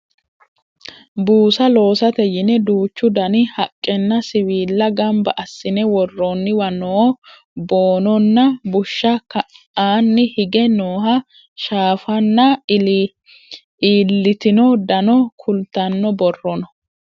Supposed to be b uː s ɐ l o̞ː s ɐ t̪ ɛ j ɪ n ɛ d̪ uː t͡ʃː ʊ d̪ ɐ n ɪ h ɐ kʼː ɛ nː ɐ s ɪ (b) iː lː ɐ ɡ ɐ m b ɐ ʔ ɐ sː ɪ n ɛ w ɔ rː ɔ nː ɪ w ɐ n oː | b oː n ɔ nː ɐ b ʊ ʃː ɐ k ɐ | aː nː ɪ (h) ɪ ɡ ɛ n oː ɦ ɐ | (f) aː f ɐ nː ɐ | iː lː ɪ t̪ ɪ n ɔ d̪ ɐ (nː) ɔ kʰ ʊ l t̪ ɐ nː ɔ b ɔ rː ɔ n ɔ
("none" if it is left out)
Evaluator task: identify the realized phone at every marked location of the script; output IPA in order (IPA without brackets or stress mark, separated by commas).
w, h, ʃ, n